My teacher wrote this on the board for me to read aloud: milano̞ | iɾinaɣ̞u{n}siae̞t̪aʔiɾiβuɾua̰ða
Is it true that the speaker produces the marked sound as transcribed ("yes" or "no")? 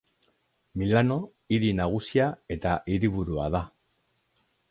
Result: no